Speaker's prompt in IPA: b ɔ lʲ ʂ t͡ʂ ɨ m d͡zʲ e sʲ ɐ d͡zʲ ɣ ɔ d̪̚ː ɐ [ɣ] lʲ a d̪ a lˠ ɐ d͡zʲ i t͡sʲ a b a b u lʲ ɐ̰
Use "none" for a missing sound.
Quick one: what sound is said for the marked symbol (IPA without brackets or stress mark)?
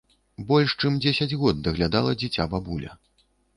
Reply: ɣ